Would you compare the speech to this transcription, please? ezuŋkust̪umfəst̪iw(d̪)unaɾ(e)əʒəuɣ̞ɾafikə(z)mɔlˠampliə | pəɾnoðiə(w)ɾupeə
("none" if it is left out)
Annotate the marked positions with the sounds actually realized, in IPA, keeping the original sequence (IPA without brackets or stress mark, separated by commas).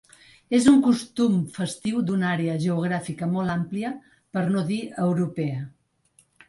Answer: d̪, e, none, w